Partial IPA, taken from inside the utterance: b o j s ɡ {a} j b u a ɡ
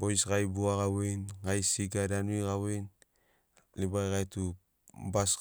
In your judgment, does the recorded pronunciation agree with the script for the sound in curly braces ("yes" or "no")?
yes